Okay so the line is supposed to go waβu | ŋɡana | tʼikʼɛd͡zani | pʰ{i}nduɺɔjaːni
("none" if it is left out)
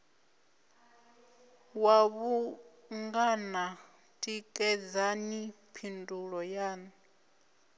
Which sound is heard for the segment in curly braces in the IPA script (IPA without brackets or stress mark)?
i